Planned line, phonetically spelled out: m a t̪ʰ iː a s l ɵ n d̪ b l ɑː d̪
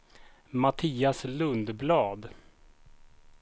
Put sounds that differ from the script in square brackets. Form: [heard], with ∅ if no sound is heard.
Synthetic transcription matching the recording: m a t̪ʰ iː a s l ɵ n d̪ b l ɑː d̪